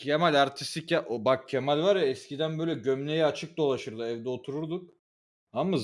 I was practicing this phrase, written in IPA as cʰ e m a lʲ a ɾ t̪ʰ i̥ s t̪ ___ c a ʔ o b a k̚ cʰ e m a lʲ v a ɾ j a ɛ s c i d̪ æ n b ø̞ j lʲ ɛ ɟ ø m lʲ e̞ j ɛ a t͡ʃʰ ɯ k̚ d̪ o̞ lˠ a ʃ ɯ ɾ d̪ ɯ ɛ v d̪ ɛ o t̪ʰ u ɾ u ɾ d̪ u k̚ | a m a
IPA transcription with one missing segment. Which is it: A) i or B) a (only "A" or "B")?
A